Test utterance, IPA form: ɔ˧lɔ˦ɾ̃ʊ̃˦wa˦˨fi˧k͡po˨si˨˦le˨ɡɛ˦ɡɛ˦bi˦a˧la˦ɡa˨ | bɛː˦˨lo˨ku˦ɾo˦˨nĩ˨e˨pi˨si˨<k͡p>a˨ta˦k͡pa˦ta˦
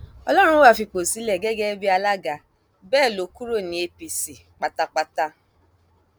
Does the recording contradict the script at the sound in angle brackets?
no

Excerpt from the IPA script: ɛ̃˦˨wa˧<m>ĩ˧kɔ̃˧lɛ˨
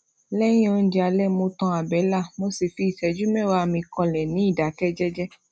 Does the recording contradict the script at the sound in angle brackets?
no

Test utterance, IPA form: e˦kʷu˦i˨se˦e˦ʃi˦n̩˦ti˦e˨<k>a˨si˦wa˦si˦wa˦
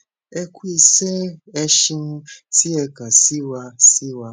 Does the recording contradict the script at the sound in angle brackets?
no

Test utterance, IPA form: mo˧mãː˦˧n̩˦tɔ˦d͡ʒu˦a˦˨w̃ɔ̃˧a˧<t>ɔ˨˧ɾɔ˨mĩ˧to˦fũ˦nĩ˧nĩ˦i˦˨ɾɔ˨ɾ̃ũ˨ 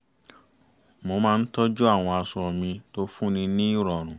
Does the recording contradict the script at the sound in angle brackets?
yes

